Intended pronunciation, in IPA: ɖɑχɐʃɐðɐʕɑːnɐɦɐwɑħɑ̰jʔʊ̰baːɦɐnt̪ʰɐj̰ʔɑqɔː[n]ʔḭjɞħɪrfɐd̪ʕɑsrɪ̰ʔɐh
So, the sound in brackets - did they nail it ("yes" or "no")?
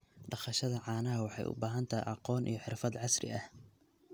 yes